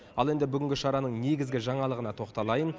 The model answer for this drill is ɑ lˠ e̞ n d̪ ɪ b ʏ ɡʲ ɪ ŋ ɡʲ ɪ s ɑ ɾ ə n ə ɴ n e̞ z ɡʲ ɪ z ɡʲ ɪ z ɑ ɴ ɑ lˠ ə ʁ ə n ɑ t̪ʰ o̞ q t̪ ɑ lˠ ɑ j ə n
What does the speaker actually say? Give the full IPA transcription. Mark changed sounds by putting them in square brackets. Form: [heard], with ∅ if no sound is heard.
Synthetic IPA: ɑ lˠ e̞ n d̪ ɪ b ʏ ɡʲ ɪ ŋ ɡʲ ɪ [ʃ] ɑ ɾ [ɑ] n ə ɴ n e̞ [∅] ɡʲ ɪ z ɡʲ ɪ [ʒ] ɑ ɴ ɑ lˠ ə ʁ ə n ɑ t̪ʰ o̞ q t̪ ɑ lˠ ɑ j ə n